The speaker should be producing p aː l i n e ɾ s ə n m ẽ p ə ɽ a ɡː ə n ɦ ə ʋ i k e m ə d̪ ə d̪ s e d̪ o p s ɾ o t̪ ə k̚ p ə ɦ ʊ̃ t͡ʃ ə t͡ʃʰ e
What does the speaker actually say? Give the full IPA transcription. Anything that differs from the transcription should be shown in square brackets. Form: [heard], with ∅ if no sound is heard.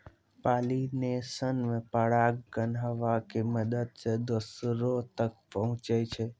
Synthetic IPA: p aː l i n e [∅] s ə n m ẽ p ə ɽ a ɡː ə n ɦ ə ʋ [a] k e m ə d̪ ə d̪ s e d̪ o [∅] s ɾ o t̪ ə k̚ p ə ɦ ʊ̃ t͡ʃ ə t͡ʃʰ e